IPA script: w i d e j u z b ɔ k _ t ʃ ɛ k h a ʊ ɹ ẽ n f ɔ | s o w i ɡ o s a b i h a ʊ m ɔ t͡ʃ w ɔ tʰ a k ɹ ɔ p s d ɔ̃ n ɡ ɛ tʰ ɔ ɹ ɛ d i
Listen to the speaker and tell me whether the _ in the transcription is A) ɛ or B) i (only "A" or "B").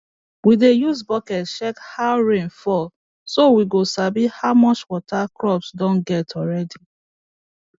A